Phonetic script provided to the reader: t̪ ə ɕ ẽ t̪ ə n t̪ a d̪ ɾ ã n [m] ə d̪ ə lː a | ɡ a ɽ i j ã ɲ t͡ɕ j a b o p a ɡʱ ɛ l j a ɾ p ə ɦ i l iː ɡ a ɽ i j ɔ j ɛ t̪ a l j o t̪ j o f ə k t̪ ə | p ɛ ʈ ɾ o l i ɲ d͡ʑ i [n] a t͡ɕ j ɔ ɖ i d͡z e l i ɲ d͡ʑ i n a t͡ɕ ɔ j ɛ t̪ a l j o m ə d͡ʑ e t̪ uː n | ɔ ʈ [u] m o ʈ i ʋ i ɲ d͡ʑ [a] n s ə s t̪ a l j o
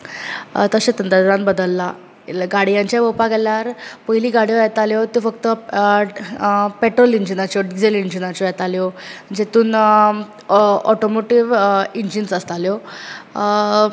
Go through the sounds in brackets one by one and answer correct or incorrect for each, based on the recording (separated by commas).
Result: incorrect, correct, incorrect, incorrect